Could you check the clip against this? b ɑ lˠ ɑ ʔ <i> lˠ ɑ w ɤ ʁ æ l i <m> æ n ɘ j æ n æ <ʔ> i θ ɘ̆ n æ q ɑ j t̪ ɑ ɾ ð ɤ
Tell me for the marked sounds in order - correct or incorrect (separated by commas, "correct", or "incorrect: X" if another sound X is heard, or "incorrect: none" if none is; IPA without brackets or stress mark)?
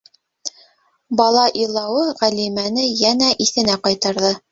correct, correct, correct